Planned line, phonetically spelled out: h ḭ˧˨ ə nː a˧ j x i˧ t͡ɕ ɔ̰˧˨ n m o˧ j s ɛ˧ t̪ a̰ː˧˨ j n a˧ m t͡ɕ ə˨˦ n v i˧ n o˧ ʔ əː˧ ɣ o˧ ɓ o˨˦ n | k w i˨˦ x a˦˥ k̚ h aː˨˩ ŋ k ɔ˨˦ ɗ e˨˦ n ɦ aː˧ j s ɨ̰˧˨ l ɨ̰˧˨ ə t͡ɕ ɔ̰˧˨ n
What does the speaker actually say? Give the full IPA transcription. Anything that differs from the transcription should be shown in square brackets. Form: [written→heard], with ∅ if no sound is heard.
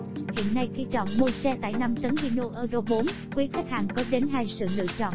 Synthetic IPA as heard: h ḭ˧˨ ə nː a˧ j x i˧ t͡ɕ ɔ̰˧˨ n m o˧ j s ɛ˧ t̪ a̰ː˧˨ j n a˧ m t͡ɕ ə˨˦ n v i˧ n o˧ ʔ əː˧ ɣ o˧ ɓ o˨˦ n | k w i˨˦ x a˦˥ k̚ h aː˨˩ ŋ k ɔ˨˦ ɗ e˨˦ n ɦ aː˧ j s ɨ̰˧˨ l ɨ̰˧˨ ə t͡ɕ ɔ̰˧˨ n